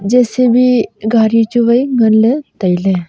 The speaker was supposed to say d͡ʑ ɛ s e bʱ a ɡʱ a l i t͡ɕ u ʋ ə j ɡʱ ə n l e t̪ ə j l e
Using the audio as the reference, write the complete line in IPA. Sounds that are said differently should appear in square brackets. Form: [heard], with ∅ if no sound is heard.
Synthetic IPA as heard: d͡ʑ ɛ s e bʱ [i] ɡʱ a [ɾ] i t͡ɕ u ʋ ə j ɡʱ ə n l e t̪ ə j l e